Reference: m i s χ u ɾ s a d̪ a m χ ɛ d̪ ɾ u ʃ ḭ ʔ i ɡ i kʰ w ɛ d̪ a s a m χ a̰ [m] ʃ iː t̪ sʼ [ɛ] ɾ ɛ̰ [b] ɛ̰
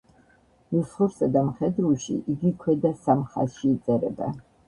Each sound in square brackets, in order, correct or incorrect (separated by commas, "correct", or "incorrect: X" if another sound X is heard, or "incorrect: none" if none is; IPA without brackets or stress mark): incorrect: none, correct, correct